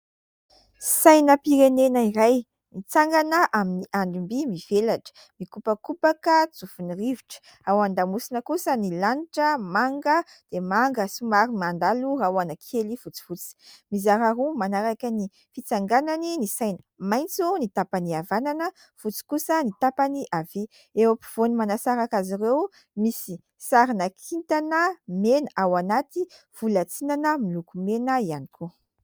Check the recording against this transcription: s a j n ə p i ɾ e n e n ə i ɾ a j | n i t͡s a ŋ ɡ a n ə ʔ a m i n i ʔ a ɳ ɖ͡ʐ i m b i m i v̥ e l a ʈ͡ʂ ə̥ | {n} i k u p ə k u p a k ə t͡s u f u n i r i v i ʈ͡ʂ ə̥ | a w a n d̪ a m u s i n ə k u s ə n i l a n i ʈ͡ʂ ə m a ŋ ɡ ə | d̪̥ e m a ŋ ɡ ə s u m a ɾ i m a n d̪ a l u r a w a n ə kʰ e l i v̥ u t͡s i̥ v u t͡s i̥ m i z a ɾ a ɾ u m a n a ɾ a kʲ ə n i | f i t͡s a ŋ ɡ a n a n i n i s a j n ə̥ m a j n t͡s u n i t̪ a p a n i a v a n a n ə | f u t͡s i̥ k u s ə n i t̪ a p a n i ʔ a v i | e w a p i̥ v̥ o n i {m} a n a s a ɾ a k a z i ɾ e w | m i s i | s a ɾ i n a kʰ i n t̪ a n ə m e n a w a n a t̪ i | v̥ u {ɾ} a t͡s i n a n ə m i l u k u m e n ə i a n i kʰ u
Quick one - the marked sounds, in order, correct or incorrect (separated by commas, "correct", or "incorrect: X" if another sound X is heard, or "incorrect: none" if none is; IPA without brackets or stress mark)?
incorrect: m, correct, incorrect: l